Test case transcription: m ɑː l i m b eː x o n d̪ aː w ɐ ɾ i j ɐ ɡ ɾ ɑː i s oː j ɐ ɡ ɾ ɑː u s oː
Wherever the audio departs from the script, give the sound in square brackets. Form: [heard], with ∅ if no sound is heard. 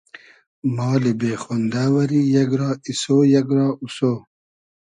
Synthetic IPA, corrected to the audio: m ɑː l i [∅] b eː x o n d̪ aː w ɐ ɾ i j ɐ ɡ ɾ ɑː i s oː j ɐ ɡ ɾ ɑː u s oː

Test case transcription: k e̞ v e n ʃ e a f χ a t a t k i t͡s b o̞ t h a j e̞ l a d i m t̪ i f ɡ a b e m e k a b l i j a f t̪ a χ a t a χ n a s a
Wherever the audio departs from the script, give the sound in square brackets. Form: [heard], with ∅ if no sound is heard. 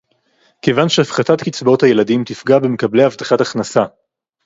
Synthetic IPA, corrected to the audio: k e̞ v [a] n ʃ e a f χ a t a t k i t͡s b o̞ t h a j e̞ l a d i m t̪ i f ɡ a b e m e k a b l [e] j a [v] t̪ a χ a t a χ n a s a

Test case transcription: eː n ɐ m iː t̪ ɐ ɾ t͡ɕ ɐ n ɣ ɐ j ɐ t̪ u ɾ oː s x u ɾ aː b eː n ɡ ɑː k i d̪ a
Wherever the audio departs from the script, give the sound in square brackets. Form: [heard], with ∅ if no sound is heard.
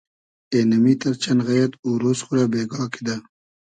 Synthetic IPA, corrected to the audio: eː n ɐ m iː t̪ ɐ ɾ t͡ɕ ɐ n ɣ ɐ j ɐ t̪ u ɾ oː s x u ɾ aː b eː [∅] ɡ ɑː k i d̪ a

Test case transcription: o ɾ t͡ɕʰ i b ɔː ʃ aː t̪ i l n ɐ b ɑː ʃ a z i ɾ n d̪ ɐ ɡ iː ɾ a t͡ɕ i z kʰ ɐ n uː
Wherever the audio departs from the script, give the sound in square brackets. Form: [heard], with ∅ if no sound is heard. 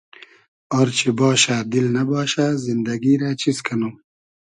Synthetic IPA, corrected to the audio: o ɾ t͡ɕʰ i b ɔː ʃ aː [d̪] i l n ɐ b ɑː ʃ a z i [∅] n d̪ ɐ ɡ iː ɾ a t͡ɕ i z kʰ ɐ n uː

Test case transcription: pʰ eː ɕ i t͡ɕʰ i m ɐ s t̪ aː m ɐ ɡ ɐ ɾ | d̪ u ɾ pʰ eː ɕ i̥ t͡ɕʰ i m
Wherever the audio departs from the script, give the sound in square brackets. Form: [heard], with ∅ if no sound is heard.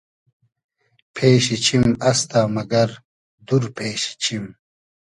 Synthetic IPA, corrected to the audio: pʰ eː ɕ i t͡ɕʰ i m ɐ s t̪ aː m ɐ ɡ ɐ ɾ | d̪ u ɾ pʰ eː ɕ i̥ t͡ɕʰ i m

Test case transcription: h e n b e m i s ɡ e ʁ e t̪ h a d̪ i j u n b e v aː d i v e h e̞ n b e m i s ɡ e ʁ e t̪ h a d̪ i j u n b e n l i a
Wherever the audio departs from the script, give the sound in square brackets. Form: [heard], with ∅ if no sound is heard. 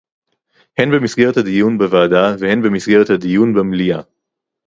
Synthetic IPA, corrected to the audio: h e n b e m i s ɡ e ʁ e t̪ h a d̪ i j u n b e v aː d [a] v e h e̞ n b e m i s ɡ e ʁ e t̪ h a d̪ i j u n b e [m] l i a

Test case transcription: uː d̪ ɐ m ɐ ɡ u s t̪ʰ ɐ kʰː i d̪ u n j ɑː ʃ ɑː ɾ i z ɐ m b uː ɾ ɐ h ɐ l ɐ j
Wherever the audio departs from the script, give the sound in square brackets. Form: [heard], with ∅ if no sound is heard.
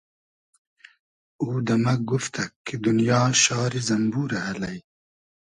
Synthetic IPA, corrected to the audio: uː d̪ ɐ m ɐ ɡ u [f] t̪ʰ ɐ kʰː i d̪ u n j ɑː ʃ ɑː ɾ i z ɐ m b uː ɾ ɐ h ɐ l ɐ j

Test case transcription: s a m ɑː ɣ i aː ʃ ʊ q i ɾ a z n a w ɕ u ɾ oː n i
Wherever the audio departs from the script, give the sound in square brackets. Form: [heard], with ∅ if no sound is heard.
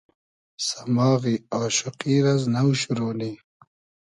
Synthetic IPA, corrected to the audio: s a m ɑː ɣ i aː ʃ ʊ q i ɾ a z n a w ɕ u ɾ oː n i

